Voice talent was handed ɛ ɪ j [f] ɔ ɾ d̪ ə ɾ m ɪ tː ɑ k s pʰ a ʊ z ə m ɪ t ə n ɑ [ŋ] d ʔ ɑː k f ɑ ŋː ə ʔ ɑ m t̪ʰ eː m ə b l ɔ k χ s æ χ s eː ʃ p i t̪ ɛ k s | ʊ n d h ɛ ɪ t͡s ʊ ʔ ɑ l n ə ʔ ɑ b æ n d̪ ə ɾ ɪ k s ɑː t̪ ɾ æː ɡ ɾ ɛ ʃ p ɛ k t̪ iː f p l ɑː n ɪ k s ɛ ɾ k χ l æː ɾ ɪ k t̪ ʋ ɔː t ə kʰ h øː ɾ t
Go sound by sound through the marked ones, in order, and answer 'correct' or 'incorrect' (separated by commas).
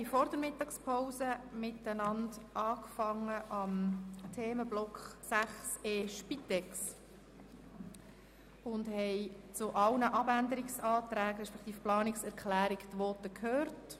correct, incorrect